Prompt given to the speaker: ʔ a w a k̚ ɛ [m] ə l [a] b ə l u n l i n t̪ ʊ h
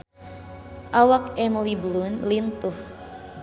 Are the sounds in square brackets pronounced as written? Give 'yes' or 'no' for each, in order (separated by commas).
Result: yes, no